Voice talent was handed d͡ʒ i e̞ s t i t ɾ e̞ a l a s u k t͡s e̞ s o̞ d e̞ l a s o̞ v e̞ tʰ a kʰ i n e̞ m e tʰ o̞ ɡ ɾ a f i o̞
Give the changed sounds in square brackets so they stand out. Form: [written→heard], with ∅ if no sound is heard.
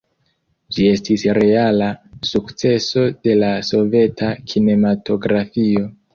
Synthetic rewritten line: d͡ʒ i e̞ s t i [t→s] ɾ e̞ a l a s u k t͡s e̞ s o̞ d e̞ l a s o̞ v e̞ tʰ a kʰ i n e̞ m [e→a] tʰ o̞ ɡ ɾ a f i o̞